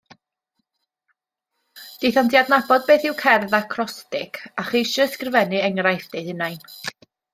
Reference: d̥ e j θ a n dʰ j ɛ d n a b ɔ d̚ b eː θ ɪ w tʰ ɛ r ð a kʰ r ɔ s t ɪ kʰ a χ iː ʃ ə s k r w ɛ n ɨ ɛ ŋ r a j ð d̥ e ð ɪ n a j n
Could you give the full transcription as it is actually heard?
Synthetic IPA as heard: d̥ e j θ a n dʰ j a d n a b ɔ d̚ b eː θ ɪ w kʰ ɛ r ð a kʰ r ɔ s t ɪ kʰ a χ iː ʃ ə s k r v ɛ n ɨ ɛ ŋ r a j θ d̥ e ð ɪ n a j n